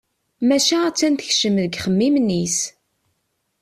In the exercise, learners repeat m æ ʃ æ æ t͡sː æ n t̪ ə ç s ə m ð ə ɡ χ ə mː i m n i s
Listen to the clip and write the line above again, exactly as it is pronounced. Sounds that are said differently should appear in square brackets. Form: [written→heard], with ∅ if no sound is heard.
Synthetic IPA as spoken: m æ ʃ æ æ t͡sː æ n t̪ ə ç [s→ʃ] ə m ð ə ɡ χ ə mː i m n i s